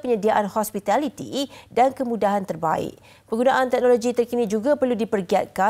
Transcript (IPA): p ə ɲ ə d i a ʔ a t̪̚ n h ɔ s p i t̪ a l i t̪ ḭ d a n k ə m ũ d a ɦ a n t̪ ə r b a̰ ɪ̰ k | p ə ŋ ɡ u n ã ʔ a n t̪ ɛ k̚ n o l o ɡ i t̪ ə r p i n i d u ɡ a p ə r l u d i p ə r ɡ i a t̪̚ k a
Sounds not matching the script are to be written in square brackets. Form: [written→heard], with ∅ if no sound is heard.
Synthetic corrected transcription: p ə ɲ ə d i a ʔ a [t̪̚→∅] n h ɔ s p i t̪ a l i t̪ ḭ d a n k ə m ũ d a ɦ a n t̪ ə r b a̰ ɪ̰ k | p ə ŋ ɡ u n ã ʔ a n t̪ ɛ k̚ n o l o ɡ i t̪ ə r [p→k] i n i [d→d͡ʒ] u ɡ a p ə r l u d i p ə r ɡ i a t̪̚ k a